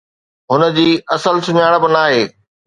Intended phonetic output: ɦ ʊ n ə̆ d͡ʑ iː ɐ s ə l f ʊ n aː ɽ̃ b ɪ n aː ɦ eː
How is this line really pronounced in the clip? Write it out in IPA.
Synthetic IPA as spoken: ɦ ʊ n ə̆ d͡ʑ iː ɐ s ə l s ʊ ɲ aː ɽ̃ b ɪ n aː ɦ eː